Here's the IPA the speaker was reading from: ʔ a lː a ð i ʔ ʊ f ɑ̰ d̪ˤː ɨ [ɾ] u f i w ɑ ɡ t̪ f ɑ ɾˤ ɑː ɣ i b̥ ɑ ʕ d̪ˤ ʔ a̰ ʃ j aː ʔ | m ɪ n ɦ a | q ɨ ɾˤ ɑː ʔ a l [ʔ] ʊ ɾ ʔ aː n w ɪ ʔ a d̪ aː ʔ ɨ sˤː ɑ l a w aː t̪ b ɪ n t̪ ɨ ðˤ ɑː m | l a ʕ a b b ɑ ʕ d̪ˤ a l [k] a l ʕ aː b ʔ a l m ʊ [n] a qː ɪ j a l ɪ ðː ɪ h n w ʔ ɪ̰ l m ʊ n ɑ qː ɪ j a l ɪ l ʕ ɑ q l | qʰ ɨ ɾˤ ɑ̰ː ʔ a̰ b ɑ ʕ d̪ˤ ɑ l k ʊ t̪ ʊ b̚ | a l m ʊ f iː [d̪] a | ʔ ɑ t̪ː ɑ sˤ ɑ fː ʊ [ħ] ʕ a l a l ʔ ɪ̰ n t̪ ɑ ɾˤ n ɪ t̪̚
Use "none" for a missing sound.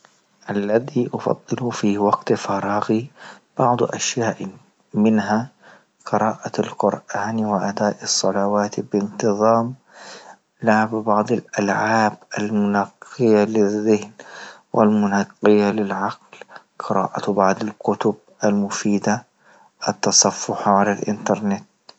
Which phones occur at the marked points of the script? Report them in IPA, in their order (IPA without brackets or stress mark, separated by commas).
l, q, ʔ, n, d̪, ħ